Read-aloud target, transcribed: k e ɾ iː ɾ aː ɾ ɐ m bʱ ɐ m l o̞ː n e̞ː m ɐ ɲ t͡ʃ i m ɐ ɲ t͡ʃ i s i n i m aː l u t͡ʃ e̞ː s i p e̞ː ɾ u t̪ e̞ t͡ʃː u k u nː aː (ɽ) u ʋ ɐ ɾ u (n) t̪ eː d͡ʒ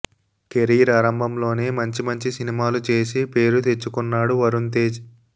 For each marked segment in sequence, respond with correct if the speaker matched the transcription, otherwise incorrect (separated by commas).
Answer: correct, correct